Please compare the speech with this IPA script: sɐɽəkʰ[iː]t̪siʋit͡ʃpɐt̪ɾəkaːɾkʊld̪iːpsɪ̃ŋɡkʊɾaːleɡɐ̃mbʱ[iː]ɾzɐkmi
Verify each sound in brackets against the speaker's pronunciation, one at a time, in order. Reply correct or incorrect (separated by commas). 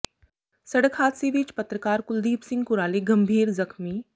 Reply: incorrect, correct